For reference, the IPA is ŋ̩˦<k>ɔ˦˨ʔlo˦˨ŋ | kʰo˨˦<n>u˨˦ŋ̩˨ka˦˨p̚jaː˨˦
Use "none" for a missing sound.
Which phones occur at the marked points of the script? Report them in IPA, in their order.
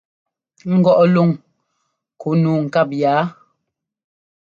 ɡ, n

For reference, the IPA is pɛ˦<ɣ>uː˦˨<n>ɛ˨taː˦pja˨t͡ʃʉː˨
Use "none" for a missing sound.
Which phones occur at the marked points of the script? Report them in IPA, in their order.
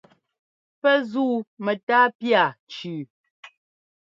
z, m

